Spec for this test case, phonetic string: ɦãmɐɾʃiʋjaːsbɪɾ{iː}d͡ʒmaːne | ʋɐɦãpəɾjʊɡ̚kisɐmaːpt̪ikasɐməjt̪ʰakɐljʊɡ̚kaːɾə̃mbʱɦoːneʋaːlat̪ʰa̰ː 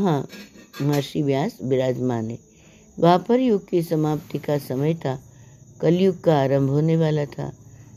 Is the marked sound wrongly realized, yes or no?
yes